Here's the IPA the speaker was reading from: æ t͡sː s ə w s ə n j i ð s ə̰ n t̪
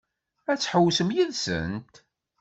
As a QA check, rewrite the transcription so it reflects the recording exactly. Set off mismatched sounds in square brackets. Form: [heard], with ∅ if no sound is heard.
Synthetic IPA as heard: æ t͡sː [ħ] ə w s ə [m] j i ð s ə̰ n t̪